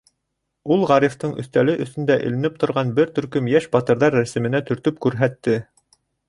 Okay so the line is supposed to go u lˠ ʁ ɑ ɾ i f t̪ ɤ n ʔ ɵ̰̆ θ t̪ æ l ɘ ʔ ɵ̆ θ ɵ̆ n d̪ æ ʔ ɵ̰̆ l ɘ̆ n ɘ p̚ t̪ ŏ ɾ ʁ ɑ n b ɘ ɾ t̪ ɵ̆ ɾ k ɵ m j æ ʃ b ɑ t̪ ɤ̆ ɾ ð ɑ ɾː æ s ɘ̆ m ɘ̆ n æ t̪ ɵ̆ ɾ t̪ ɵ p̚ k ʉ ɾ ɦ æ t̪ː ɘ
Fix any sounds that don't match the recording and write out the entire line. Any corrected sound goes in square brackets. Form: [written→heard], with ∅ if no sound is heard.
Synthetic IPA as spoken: u lˠ ʁ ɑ ɾ i f t̪ ɤ [n→ɴ] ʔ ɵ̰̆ θ t̪ æ l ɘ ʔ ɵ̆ θ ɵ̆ n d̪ æ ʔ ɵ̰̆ l ɘ̆ n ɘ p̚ t̪ ŏ ɾ ʁ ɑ n b ɘ ɾ t̪ ɵ̆ ɾ k ɵ m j æ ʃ b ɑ t̪ ɤ̆ ɾ ð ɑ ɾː æ s ɘ̆ m ɘ̆ n æ t̪ ɵ̆ ɾ t̪ ɵ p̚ k ʉ ɾ ɦ æ t̪ː ɘ